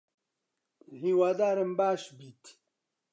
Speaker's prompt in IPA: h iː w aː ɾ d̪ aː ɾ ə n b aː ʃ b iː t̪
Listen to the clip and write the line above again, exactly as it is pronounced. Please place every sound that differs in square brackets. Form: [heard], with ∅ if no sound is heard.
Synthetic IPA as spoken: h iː w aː [∅] d̪ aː ɾ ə [m] b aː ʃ b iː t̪